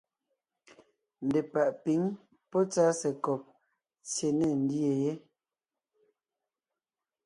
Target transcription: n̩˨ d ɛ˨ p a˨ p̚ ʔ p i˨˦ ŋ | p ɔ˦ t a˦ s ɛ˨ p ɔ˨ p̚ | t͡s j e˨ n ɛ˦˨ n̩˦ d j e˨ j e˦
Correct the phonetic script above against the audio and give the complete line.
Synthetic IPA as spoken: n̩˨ d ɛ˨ p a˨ ʔ p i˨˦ ŋ | p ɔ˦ t͡s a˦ s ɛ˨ k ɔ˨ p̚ | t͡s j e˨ n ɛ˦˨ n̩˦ d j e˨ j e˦